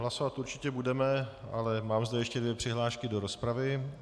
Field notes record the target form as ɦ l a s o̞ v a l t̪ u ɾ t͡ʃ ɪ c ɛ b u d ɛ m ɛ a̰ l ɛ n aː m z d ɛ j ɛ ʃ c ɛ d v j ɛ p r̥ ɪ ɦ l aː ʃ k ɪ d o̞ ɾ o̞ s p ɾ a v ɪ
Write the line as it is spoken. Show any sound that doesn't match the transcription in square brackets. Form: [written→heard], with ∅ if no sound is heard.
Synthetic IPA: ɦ l a s o̞ v a [l→∅] t̪ u ɾ t͡ʃ ɪ c ɛ b u d ɛ m ɛ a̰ l ɛ [n→m] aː m z d ɛ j ɛ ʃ c ɛ d v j ɛ p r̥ ɪ ɦ l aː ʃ k ɪ d o̞ ɾ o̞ s p ɾ a v ɪ